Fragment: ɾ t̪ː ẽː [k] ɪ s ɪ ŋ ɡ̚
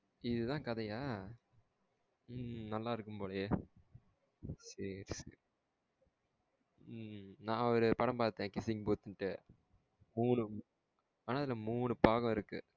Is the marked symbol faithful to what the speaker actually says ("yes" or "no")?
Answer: yes